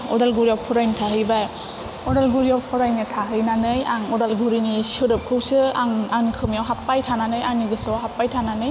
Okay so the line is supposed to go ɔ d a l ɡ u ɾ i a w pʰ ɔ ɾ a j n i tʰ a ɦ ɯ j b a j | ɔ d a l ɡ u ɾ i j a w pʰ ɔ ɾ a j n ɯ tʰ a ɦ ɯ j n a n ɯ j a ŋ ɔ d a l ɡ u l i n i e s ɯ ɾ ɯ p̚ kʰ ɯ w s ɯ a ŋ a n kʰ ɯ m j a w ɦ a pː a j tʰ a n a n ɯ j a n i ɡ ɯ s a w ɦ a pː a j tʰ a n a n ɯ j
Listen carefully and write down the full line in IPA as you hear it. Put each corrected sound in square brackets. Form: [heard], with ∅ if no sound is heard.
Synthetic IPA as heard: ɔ d a l ɡ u ɾ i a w pʰ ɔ ɾ a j n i tʰ a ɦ ɯ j b a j | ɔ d a l ɡ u ɾ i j a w pʰ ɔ ɾ a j n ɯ tʰ a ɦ ɯ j n a n ɯ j a ŋ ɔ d a l ɡ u [ɾ] i n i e s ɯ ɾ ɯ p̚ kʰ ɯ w s ɯ a ŋ a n kʰ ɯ m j a w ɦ a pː a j tʰ a n a n ɯ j a n i ɡ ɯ s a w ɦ a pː a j tʰ a n a n ɯ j